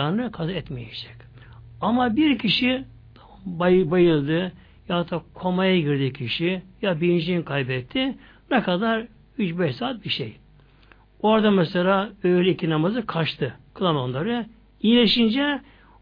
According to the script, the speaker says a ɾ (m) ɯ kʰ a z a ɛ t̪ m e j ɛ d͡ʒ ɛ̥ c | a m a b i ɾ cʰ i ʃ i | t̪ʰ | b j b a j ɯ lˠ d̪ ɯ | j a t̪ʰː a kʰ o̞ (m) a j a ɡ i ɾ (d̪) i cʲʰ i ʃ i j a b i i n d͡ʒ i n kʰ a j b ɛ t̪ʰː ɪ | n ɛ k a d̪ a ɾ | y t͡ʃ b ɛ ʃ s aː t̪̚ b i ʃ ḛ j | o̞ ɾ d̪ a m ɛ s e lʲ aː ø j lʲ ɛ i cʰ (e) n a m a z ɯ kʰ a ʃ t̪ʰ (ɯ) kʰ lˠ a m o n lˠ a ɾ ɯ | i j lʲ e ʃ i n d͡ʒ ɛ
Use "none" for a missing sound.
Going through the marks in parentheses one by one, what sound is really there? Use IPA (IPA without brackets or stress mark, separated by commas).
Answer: n, m, d̪, i, ɯ